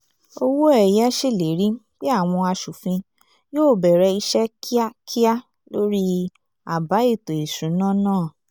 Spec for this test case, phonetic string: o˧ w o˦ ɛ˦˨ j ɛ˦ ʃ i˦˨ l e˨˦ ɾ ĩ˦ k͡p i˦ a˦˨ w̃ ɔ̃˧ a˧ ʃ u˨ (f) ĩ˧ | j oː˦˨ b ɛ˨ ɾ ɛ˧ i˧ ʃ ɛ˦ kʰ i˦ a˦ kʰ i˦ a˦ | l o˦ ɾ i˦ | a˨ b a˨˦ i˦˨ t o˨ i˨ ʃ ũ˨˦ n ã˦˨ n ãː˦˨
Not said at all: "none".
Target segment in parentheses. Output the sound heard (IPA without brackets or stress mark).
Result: f